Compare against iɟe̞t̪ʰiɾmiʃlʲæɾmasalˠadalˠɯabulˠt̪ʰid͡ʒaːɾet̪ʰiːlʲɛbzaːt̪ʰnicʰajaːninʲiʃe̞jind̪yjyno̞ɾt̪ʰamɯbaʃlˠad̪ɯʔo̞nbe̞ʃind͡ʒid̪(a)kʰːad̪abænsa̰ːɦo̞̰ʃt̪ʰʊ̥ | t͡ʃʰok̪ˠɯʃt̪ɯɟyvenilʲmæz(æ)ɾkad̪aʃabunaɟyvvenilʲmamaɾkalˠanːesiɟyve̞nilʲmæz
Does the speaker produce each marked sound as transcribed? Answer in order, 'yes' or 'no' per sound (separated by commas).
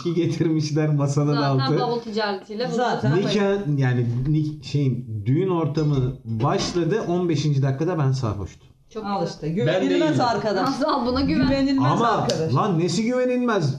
yes, no